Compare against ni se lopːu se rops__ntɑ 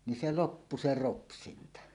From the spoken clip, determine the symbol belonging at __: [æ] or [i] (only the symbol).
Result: i